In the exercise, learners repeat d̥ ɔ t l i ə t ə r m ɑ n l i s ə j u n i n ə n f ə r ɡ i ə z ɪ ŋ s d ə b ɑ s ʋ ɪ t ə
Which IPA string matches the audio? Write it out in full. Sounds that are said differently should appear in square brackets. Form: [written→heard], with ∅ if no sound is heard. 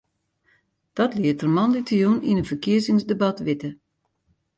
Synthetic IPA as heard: d̥ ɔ t l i ə t ə r m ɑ n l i [s→t] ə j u n i n ə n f ə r [ɡ→k] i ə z ɪ ŋ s d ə b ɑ [s→t] ʋ ɪ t ə